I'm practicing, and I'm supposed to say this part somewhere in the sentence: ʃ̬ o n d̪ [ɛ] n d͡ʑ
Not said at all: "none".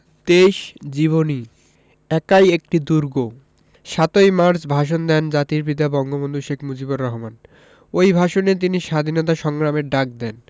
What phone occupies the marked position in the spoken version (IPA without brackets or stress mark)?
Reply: ɛ